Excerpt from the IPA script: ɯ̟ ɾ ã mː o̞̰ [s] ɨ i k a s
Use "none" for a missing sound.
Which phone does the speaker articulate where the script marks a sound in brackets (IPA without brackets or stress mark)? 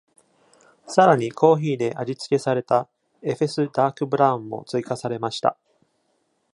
t͡s